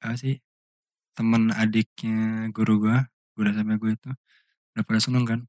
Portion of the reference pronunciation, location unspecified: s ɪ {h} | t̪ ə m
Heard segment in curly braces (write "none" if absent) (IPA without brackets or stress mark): h